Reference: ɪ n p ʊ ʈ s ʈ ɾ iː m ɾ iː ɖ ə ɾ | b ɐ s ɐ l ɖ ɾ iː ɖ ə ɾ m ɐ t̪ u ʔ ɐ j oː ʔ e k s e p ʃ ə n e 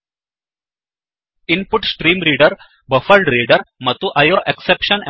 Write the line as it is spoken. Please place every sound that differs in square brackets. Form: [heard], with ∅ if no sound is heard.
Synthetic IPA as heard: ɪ n p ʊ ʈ s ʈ ɾ iː m ɾ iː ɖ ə ɾ | b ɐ [f] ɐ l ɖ ɾ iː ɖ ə ɾ m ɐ t̪ u ʔ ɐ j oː ʔ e k s e p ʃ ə n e